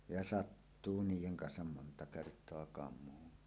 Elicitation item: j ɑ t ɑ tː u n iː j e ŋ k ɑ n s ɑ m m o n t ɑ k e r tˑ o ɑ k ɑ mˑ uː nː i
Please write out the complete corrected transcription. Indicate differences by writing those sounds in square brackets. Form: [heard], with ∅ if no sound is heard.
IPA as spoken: j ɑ [s] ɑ tː [uː] n iː j e ŋ k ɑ n s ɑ m m o n t ɑ k e r tˑ o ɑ k ɑ mˑ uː nː i